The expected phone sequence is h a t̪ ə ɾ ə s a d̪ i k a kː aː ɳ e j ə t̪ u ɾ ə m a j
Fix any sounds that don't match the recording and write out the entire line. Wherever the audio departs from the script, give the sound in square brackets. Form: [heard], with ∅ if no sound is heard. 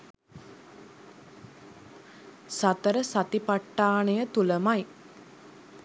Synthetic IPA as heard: [s] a t̪ ə ɾ ə s a [t̪] i [p] a [ʈː] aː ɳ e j ə t̪ u [l] ə m a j